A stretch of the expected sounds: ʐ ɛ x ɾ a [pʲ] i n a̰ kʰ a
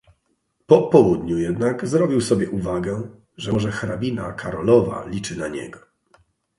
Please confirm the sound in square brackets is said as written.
no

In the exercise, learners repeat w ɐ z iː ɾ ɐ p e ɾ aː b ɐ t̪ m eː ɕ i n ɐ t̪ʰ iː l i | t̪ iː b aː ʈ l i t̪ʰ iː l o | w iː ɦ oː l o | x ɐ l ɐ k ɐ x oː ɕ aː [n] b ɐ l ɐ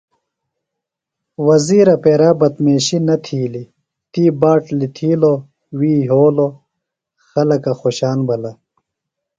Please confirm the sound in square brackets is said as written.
yes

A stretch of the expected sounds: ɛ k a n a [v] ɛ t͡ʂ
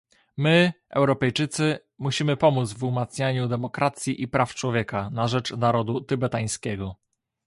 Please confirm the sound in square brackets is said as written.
no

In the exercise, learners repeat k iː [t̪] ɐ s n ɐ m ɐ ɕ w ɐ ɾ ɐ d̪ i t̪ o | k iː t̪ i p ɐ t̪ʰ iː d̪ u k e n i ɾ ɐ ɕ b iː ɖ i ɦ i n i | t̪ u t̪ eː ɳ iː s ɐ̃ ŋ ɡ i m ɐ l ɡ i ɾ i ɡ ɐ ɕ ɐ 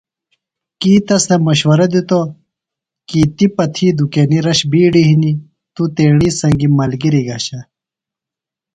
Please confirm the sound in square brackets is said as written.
yes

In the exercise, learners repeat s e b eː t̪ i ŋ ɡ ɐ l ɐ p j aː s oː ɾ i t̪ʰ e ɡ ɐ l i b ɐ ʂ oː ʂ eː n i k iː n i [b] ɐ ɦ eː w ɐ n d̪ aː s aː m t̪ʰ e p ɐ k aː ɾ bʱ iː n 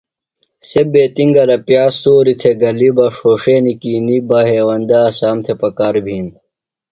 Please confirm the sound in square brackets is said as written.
yes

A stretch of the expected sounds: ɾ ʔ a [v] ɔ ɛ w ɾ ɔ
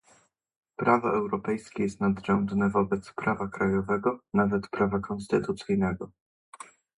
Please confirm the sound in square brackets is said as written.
yes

